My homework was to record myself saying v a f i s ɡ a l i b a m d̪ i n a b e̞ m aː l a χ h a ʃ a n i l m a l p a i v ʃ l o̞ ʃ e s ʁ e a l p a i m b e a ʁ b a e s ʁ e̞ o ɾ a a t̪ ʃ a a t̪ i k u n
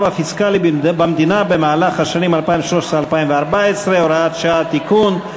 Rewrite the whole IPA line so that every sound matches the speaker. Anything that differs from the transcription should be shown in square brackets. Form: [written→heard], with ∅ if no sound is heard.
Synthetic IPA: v a f i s [ɡ→k] a l i b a m d̪ i n a b e̞ m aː l a χ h a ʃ a n i [l→∅] m a l p a i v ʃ l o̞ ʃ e s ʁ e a l p a i m [b→v] e a ʁ b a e s ʁ e̞ o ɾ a a t̪ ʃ a a t̪ i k u n

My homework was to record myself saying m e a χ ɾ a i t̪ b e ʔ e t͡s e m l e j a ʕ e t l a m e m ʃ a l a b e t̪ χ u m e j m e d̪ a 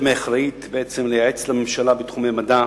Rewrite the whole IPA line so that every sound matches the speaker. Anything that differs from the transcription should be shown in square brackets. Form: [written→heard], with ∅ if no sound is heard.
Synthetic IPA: m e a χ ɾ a i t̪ b e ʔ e t͡s e m l e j a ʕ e [t→t͡s] l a m e m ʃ a l a b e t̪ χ u m e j m [e→a] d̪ a

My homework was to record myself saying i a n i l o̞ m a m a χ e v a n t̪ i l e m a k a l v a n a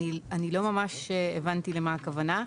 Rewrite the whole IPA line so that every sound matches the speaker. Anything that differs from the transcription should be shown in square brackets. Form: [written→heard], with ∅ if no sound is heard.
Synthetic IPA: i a n i l o̞ m a m a [χ→ʃ] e v a n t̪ i l e m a k a [l→∅] v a n a

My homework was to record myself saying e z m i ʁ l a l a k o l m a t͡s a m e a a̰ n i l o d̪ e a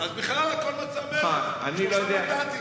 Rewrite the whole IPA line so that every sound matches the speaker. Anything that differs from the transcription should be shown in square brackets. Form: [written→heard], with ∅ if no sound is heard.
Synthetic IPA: [e→a] z [m→b] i [ʁ→χ] l a l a k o l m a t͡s a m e a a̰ n i l o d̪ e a

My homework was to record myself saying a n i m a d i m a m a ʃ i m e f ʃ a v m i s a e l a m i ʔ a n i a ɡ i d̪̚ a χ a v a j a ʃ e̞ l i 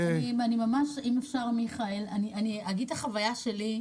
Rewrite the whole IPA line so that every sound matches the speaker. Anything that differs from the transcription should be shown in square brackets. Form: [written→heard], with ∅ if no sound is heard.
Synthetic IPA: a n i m a [d→n] i m a m a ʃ i m e f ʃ a [v→ʁ] m i [s→χ] a e l a [m→n] i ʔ a n i a ɡ i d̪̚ a χ a v a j a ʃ e̞ l i

